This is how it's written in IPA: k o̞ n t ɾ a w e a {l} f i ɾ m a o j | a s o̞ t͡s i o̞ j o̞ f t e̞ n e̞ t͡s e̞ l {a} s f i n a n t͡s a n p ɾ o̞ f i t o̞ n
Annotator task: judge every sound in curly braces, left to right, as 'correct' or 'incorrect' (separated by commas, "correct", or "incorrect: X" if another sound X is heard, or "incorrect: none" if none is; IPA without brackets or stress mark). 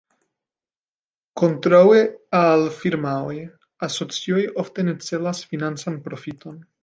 correct, correct